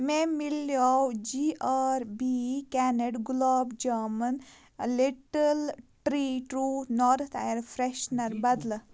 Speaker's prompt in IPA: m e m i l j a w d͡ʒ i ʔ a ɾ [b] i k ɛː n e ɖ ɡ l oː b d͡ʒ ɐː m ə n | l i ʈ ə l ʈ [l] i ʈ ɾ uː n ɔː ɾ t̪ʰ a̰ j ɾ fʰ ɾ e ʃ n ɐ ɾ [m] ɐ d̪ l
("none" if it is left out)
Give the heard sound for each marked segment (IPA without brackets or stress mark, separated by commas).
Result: b, ɾ, b